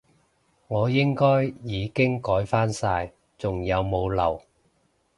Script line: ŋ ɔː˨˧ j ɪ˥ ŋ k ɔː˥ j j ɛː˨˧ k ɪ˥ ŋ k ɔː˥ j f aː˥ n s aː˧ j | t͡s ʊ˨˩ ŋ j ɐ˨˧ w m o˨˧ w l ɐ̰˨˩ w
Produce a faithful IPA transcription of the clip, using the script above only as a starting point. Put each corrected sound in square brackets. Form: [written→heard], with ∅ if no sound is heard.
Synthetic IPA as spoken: ŋ ɔː˨˧ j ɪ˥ ŋ k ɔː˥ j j [ɛː˨˧→iː˨˧] k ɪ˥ ŋ k [ɔː˥→ɔː˨˥] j f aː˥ n s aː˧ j | t͡s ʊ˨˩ ŋ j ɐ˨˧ w m o˨˧ w l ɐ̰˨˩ w